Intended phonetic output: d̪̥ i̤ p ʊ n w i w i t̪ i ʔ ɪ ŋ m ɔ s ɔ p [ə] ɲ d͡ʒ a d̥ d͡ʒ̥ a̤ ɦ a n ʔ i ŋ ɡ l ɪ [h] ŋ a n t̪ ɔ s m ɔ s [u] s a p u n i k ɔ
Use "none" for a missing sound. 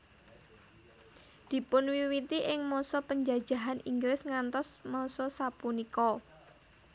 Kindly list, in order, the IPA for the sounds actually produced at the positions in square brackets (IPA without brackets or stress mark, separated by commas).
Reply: ə, s, ɔ